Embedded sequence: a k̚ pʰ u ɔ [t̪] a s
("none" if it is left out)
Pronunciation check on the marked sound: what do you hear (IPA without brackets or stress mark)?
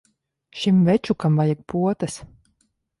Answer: t̪